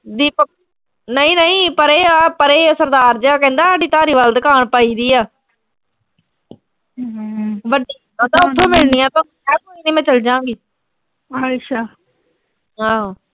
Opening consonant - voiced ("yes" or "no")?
yes